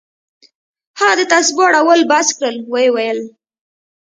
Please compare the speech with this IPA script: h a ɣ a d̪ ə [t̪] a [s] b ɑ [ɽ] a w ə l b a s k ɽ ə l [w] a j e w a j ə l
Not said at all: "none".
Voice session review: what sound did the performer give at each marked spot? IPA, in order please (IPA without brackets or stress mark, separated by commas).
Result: t̪, s, ɽ, w